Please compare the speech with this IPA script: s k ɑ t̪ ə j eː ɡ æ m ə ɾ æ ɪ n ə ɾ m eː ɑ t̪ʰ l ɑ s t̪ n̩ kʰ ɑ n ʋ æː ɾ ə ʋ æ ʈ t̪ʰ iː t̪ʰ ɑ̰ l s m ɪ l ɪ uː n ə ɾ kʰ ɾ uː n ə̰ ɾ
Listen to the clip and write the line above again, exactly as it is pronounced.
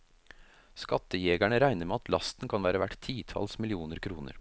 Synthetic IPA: s k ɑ t̪ ə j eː ɡ æ ɳ ə ɾ æ ɪ n ə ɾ m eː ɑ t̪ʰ l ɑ s t̪ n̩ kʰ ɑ n ʋ æː ɾ ə ʋ æ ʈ t̪ʰ iː t̪ʰ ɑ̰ l s m ɪ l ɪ uː n ə ɾ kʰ ɾ uː n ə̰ ɾ